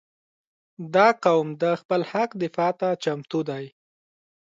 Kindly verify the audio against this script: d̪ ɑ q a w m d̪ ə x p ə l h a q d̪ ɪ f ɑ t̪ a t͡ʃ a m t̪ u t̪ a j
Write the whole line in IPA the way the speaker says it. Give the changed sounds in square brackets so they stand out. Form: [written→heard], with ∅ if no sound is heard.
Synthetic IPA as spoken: d̪ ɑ q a w m d̪ ə x p ə l h a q d̪ ɪ f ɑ t̪ a t͡ʃ a m t̪ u [t̪→d̪] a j